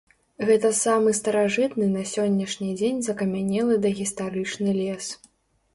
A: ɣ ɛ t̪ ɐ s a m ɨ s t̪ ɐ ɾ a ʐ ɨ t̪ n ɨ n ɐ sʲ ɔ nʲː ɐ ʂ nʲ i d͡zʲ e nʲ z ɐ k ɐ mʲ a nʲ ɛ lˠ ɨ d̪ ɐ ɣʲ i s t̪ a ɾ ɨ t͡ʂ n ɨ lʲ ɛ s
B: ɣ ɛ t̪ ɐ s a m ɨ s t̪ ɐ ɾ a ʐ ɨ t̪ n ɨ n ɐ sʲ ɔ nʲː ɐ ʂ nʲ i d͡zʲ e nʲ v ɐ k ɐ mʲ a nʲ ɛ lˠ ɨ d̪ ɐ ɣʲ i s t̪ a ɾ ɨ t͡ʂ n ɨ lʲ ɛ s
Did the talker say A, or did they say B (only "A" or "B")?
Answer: A